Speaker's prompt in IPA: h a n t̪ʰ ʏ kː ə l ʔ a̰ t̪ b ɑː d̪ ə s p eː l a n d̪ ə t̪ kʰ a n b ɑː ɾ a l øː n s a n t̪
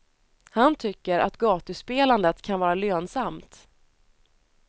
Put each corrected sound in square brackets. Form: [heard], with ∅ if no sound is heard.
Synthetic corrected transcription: h a n t̪ʰ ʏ kː ə [ɾ] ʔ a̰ t̪ [ɡ] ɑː [t̪] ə s p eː l a n d̪ ə t̪ kʰ a n [v] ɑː ɾ a l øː n s a [m] t̪